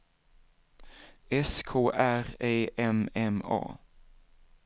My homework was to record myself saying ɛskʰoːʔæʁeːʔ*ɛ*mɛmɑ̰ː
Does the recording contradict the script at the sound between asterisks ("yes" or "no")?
no